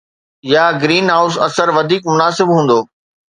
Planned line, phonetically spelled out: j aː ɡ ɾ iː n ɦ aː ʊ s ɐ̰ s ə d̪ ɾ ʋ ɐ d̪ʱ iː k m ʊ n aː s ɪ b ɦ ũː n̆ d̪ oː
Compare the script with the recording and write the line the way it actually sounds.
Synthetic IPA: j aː ɡ ɾ iː n ɦ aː ʊ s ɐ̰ s ə ɾ ʋ ɐ d̪ʱ iː k m ʊ n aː s ɪ b ɦ ũː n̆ d̪ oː